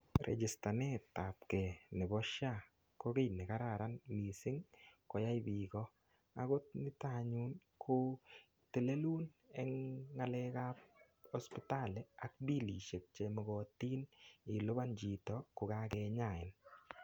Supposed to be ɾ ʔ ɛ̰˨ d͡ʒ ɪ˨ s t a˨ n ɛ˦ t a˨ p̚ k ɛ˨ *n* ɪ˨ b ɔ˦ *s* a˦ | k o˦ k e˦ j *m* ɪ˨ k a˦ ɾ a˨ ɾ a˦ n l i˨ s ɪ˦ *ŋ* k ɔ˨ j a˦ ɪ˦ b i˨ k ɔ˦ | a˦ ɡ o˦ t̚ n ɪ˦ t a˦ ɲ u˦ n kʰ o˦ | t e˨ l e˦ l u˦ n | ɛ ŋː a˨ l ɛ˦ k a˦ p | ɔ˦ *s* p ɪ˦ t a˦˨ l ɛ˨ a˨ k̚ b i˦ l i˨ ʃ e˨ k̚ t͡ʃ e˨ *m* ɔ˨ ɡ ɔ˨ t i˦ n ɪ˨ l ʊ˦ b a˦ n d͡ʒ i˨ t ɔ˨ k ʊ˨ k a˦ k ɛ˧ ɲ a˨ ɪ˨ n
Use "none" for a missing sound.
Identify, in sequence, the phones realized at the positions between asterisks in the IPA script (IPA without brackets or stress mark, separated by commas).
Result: n, ʃ, n, ŋ, s, m